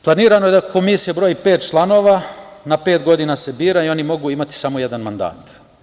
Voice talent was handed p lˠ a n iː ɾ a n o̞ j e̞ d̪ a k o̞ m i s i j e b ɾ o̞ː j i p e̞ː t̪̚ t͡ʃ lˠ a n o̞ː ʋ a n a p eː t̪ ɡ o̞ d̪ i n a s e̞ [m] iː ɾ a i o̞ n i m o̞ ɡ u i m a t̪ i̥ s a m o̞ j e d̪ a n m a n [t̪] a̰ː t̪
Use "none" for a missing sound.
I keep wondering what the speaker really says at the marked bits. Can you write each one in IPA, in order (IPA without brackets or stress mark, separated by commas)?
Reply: b, d̪